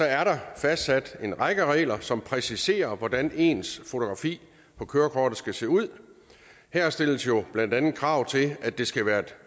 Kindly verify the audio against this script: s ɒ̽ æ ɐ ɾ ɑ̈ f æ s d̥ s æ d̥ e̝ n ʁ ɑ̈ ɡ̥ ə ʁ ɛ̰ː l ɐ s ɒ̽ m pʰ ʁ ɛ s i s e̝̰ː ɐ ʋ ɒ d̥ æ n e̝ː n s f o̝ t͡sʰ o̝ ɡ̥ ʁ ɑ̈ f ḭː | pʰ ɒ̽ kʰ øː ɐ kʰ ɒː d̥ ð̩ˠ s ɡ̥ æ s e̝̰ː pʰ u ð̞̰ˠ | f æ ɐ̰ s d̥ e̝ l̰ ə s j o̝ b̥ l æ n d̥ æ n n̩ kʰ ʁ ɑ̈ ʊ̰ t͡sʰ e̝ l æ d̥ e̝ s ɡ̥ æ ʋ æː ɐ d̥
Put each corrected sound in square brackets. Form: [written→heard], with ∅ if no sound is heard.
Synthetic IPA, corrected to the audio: s ɒ̽ æ ɐ ɾ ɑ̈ f æ s d̥ s æ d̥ e̝ n ʁ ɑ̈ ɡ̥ ə ʁ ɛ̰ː l ɐ s ɒ̽ m pʰ ʁ ɛ s i s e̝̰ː ɐ ʋ ɒ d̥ æ n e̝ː n s f o̝ t͡sʰ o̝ ɡ̥ ʁ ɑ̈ f ḭː | pʰ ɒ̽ kʰ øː ɐ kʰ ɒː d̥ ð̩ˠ s ɡ̥ æ s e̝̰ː [pʰ→∅] u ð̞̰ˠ | [f→h] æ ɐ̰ s d̥ e̝ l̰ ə s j o̝ b̥ l æ n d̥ æ n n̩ kʰ ʁ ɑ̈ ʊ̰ t͡sʰ e̝ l æ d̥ e̝ s ɡ̥ æ ʋ æː ɐ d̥